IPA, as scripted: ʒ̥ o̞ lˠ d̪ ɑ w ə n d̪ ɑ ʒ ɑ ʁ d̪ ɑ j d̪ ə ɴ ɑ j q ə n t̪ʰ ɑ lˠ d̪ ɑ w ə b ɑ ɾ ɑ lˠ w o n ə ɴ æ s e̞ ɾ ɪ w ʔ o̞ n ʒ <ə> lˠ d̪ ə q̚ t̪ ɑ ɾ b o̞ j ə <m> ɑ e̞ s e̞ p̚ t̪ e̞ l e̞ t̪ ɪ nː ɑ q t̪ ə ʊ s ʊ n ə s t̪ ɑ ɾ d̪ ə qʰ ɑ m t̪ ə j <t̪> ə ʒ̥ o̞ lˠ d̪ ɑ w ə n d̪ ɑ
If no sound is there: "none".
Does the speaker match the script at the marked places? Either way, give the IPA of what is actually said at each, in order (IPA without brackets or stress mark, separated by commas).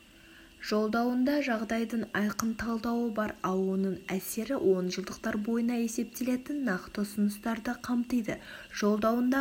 ə, n, d̪